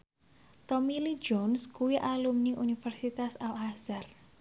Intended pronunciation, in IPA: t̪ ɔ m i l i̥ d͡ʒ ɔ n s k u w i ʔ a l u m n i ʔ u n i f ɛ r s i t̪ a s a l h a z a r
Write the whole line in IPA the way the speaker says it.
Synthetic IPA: t̪ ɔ m i l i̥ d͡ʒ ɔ n s k u w i ʔ a l u m n i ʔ u n i f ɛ r s i t̪ a s a l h a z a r